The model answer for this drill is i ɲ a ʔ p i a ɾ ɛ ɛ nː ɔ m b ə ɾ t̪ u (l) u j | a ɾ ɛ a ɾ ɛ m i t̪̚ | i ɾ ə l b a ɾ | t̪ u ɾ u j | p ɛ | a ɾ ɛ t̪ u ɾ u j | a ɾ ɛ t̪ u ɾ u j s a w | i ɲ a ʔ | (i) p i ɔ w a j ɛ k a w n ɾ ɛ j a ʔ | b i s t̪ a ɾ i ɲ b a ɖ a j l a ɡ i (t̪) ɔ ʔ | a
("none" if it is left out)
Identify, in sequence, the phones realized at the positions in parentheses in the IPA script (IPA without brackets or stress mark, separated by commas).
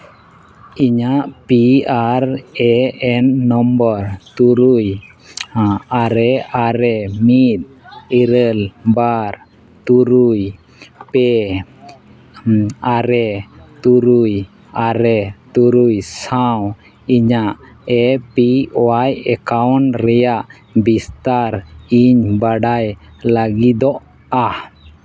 ɾ, ɛ, d̪